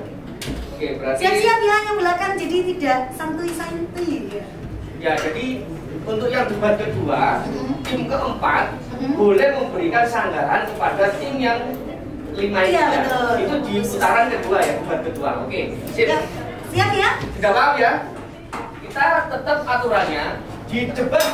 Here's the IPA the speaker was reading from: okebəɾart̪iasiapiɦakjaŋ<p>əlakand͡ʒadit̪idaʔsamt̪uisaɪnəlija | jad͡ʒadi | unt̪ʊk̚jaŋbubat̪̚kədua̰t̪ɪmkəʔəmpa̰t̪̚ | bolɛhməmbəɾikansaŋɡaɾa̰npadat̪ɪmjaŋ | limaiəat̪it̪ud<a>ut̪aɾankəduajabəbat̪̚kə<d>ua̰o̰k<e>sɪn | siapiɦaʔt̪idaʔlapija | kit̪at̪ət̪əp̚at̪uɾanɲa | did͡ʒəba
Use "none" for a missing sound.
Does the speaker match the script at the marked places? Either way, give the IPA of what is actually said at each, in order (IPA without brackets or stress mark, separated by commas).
b, i, d, e